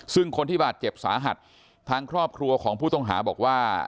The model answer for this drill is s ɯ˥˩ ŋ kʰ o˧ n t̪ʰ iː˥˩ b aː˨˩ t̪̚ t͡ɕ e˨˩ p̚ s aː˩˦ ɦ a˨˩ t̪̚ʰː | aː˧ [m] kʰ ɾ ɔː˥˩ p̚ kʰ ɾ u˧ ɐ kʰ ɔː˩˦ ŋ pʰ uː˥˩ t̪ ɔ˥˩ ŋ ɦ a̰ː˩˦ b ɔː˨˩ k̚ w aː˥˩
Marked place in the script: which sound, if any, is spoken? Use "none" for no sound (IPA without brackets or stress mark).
ŋ